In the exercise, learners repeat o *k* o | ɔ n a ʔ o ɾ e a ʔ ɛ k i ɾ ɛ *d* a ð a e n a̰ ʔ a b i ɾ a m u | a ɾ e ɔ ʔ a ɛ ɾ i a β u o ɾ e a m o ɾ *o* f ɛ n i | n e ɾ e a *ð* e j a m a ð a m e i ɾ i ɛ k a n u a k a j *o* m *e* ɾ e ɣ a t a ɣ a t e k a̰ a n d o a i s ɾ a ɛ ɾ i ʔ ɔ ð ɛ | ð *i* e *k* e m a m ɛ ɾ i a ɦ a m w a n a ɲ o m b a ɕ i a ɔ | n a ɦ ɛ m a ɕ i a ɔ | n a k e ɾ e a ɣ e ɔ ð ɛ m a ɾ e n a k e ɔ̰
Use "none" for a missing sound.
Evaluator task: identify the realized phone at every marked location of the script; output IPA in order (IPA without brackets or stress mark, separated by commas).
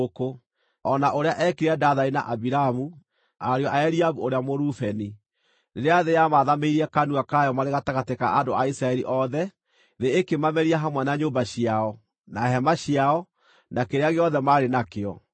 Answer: k, d, u, ð, ɔ, a, e, k